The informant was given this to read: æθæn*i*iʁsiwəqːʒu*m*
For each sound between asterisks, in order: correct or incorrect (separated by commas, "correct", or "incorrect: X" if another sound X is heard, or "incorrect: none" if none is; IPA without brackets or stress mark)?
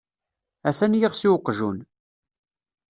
incorrect: j, incorrect: n